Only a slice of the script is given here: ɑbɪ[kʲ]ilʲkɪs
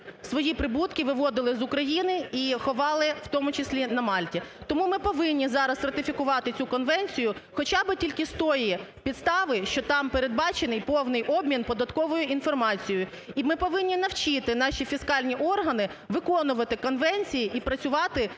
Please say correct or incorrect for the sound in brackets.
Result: incorrect: tʲ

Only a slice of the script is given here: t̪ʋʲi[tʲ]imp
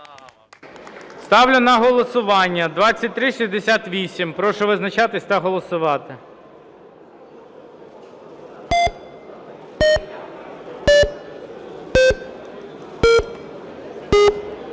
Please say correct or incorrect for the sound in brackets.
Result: incorrect: sʲ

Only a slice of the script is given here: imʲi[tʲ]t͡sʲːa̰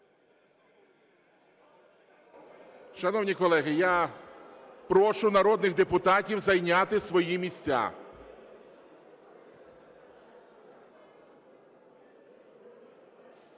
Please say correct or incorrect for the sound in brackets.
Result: incorrect: sʲ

